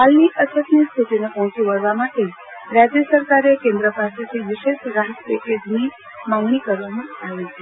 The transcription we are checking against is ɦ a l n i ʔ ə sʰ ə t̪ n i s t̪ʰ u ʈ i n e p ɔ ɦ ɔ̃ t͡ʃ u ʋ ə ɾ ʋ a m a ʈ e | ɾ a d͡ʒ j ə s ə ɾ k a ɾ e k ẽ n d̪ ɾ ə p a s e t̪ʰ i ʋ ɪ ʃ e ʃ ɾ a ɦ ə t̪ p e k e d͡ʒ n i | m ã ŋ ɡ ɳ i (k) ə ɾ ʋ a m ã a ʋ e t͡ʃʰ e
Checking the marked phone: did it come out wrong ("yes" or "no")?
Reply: no